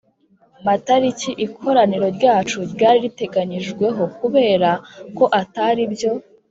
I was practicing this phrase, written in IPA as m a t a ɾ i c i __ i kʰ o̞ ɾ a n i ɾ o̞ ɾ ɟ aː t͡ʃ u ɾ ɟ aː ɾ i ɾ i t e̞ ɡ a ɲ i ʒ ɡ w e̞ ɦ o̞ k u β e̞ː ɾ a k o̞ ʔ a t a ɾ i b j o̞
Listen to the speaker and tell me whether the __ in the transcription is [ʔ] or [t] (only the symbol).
ʔ